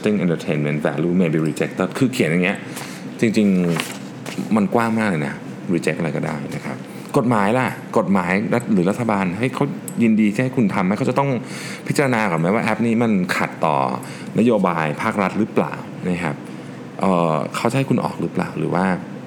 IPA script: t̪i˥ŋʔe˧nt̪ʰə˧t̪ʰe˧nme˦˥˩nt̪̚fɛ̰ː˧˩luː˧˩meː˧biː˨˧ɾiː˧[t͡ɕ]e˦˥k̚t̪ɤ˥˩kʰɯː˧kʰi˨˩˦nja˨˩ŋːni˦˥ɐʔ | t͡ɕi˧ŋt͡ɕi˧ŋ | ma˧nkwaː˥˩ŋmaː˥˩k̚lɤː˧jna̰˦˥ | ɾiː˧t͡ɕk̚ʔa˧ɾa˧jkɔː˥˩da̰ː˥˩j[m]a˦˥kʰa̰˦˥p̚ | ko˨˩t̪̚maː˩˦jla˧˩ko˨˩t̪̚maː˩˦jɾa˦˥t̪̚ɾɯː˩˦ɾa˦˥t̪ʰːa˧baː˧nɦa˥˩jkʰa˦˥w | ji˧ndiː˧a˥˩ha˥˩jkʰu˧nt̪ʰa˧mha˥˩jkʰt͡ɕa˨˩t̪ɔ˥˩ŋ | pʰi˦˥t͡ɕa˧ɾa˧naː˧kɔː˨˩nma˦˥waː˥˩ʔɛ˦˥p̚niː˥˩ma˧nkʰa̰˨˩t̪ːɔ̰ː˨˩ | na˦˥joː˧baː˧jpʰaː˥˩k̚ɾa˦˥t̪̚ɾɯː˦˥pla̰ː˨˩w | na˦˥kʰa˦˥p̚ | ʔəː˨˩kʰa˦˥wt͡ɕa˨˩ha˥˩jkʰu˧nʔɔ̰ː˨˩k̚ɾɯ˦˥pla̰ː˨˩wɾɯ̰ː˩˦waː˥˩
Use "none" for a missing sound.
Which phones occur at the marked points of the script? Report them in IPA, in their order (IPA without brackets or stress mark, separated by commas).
t͡ɕ, n